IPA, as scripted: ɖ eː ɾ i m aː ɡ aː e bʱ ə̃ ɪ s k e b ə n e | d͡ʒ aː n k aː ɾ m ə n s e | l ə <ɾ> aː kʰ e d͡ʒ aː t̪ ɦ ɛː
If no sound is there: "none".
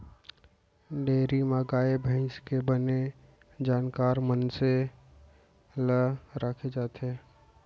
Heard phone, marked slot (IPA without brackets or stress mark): ɾ